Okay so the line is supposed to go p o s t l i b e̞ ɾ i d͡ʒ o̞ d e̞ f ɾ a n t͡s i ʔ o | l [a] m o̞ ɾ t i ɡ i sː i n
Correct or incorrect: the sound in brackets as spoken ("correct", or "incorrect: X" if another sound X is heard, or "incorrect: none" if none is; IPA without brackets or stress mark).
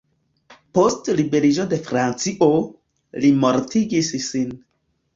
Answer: incorrect: i